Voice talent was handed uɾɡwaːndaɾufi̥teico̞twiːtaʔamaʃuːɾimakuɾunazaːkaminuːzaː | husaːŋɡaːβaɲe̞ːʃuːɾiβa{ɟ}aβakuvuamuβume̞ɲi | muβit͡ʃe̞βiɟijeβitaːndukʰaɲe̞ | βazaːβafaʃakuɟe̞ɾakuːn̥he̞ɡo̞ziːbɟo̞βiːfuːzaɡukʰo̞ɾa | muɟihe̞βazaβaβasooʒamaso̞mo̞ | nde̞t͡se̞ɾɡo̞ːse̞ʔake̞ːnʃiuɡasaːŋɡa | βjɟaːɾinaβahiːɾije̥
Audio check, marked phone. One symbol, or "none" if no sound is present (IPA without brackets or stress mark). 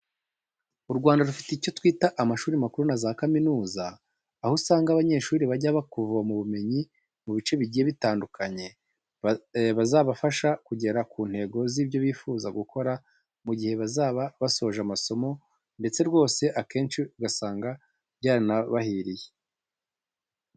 ɟ